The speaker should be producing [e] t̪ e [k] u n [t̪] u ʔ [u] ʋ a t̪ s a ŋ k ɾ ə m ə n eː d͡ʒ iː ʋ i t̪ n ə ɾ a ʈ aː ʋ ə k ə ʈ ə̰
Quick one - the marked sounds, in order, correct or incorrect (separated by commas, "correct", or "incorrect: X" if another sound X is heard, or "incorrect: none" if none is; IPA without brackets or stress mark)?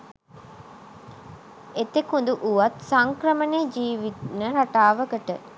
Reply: correct, correct, incorrect: d̪, correct